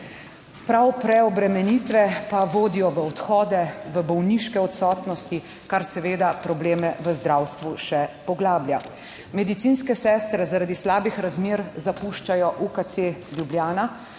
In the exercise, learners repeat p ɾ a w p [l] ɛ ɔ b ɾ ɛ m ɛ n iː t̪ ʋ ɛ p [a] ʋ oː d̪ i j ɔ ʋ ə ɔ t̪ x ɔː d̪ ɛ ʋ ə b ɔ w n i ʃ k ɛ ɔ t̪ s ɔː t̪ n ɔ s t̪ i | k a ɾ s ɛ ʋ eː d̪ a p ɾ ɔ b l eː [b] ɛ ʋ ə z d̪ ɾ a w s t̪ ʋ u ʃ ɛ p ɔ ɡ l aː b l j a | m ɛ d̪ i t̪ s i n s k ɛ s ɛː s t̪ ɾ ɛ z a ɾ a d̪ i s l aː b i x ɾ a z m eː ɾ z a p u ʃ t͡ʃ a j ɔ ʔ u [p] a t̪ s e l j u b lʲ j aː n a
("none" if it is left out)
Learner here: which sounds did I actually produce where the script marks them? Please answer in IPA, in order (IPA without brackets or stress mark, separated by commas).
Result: ɾ, a, m, k